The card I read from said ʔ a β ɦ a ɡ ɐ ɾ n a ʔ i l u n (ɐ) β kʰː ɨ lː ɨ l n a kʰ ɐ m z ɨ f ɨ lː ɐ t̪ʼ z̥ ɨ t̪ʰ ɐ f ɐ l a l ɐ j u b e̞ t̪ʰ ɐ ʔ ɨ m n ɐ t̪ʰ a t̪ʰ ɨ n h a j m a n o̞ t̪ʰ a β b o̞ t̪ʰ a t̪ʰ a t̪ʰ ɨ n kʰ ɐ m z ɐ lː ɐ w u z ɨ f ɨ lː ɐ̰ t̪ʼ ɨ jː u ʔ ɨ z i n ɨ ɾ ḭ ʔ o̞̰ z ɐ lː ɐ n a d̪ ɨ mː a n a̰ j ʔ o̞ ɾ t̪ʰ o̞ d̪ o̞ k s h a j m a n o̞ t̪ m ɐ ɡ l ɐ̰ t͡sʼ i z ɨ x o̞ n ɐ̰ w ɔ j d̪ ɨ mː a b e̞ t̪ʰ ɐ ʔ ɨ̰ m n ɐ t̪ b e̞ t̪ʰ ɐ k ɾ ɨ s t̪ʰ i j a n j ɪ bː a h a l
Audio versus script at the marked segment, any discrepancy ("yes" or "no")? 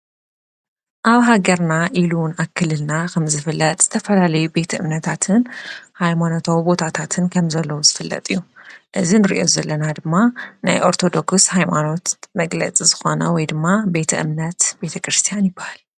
yes